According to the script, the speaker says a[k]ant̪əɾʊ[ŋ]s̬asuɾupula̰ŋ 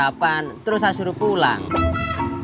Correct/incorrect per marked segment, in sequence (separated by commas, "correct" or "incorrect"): incorrect, incorrect